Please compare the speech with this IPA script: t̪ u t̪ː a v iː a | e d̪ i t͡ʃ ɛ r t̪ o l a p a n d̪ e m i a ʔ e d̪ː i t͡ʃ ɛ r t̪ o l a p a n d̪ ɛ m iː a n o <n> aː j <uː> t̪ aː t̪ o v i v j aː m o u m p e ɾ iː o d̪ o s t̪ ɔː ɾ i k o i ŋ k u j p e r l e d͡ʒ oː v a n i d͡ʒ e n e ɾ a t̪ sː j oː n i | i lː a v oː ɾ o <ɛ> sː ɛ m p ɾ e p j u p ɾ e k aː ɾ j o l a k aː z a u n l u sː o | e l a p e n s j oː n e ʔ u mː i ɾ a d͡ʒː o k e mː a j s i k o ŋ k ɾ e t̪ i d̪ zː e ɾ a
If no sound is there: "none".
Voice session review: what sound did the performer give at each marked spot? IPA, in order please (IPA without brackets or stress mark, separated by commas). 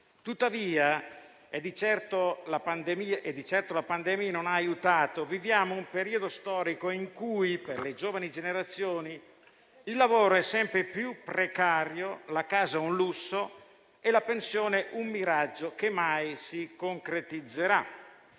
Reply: n, u, ɛ